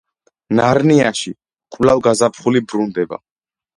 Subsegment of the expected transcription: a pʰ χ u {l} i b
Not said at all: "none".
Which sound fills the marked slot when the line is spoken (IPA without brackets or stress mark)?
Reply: l